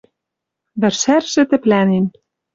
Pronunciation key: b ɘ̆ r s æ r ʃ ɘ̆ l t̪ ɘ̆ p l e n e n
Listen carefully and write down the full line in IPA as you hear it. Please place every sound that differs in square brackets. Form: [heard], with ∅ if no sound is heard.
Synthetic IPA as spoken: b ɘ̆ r [ʃ] æ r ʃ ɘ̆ [∅] t̪ ɘ̆ p l [æ] n e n